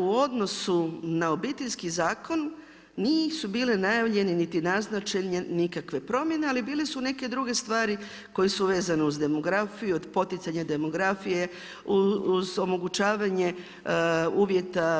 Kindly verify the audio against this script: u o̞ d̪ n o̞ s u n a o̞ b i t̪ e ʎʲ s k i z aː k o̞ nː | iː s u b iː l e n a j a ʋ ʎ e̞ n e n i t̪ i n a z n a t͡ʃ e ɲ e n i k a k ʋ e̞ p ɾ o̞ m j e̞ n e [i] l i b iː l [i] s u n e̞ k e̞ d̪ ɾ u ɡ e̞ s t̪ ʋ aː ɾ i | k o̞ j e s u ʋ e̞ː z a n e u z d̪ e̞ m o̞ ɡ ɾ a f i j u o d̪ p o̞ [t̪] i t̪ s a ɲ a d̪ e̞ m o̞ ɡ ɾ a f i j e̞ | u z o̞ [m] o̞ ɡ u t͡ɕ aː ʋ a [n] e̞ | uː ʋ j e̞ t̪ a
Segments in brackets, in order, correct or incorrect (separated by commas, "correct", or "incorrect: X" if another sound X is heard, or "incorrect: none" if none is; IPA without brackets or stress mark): incorrect: a, incorrect: e, correct, correct, incorrect: ɲ